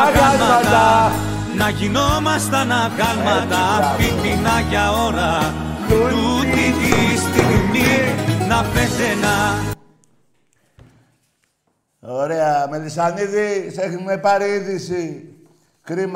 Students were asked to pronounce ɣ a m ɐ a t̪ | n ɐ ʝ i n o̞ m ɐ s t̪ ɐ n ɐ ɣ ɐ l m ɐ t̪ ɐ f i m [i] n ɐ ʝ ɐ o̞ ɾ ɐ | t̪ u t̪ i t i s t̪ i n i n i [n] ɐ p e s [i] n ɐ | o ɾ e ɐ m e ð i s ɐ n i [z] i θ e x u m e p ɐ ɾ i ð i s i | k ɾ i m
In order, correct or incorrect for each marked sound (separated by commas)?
correct, correct, incorrect, incorrect